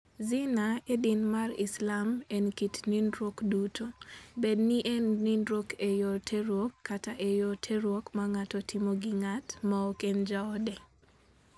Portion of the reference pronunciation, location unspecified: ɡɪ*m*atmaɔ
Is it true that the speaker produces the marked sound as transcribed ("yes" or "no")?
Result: no